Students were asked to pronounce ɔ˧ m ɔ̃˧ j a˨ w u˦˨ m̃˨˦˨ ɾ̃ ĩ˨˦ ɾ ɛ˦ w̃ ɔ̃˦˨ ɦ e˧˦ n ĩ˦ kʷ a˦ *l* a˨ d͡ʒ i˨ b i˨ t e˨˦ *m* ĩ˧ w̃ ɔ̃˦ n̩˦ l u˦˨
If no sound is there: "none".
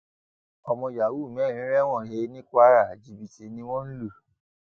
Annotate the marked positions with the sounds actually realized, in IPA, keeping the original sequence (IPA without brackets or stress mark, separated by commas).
ɾ, n